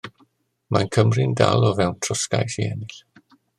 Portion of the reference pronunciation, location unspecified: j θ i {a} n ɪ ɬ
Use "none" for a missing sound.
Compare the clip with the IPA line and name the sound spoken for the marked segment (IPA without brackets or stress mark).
ɛ